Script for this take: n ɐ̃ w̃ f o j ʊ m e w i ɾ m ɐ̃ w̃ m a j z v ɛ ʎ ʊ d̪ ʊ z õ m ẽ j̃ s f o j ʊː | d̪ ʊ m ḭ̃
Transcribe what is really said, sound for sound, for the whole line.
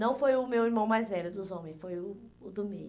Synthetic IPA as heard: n ɐ̃ w̃ f o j ʊ m e w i ɾ m ɐ̃ w̃ m a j z v ɛ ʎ ʊ d̪ ʊ z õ m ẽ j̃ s f o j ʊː | d̪ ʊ m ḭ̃

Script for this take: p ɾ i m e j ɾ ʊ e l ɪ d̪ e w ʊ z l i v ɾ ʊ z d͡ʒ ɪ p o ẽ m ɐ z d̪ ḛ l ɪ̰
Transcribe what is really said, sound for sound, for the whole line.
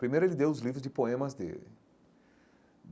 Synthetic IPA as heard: p ɾ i m e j ɾ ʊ e l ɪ d̪ e w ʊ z l i v ɾ ʊ z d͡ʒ ɪ p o ẽ m ɐ z d̪ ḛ l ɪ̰

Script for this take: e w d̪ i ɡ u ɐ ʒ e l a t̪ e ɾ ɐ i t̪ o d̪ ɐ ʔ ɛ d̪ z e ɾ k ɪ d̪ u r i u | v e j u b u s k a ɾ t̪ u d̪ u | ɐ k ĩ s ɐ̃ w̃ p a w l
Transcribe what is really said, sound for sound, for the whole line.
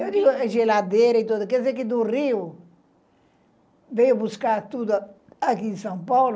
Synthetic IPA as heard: e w d̪ i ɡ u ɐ ʒ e l a d̪ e ɾ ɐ i t̪ o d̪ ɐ k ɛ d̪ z e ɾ k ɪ d̪ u r i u | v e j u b u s k a ɾ t̪ u d̪ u | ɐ k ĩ s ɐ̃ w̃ p a w l

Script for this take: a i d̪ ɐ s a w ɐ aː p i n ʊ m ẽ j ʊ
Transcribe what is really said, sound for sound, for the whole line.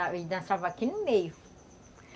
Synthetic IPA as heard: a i d̪ ɐ̃ s a v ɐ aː k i n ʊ m e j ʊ

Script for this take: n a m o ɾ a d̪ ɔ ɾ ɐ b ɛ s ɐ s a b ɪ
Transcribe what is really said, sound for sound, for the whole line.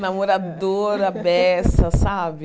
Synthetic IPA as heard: n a m o ɾ a d̪ o ɾ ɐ b ɛ s ɐ s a b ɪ

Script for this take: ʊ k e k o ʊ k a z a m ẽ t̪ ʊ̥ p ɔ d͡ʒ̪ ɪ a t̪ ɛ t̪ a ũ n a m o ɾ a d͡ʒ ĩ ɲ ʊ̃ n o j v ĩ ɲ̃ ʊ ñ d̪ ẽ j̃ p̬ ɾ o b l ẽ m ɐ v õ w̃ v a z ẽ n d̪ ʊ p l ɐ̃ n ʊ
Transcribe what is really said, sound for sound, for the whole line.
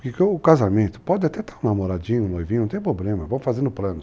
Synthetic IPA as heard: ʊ k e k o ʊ k a z a m ẽ t̪ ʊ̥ p ɔ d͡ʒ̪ ɪ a t̪ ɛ t̪ a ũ n a m o ɾ a d͡ʒ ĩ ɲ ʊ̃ n o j v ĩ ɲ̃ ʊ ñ t̪ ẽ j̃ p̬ ɾ o b l ẽ m ɐ v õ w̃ f a z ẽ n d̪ ʊ p l ɐ̃ n ʊ

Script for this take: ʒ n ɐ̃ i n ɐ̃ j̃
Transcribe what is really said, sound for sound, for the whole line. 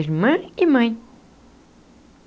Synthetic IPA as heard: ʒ m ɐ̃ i m ɐ̃ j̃

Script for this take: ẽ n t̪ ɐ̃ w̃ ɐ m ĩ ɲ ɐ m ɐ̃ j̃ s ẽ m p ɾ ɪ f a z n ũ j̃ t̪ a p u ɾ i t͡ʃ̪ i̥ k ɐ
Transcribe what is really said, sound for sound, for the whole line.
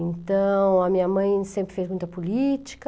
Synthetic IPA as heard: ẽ n t̪ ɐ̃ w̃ ɐ m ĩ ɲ ɐ m ɐ̃ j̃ s ẽ m p ɾ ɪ f e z m ũ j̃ t̪ ɐ p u l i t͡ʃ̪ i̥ k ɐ

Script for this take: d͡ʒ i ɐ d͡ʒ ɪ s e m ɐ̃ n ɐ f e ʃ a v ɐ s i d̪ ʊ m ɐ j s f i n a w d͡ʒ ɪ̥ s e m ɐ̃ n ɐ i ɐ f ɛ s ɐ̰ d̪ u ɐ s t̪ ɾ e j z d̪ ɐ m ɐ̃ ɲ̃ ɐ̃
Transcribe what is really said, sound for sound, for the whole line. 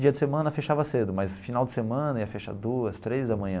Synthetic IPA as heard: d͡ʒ i ɐ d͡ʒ ɪ s e m ɐ̃ n ɐ f e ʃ a v ɐ s e d̪ ʊ m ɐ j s f i n a w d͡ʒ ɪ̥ s e m ɐ̃ n ɐ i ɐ f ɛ ʃ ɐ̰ d̪ u ɐ s t̪ ɾ e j z d̪ ɐ m ɐ̃ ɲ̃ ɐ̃

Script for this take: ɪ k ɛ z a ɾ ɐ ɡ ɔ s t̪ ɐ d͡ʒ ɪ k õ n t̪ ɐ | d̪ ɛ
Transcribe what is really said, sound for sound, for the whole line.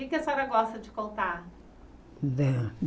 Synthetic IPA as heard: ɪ k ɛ s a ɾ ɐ ɡ ɔ s t̪ ɐ d͡ʒ ɪ k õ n t̪ a | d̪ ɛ

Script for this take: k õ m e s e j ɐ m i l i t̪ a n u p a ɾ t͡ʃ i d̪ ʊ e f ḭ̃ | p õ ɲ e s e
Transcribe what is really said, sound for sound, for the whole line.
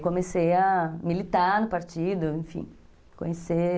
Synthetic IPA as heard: k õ m e s e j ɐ m i l i t̪ a n ʊ p a ɾ t͡ʃ i d̪ ʊ ẽ f ḭ̃ | k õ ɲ e s e

